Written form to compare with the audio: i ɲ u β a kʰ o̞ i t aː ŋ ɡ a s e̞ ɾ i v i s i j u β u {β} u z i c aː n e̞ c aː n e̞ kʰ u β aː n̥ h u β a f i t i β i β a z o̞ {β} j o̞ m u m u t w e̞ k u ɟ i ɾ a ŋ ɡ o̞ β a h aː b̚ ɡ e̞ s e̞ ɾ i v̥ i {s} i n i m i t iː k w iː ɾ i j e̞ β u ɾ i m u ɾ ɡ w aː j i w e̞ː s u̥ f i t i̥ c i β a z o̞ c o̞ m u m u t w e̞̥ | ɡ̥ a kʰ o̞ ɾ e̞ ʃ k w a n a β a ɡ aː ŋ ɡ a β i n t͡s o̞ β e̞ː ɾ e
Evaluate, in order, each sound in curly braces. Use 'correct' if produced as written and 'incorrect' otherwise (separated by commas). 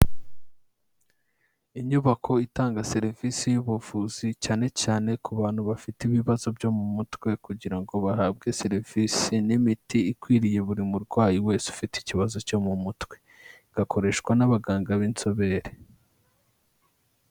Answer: incorrect, incorrect, correct